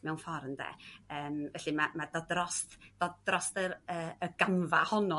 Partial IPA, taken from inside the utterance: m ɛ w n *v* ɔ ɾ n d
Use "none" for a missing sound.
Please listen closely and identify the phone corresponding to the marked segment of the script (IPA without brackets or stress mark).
f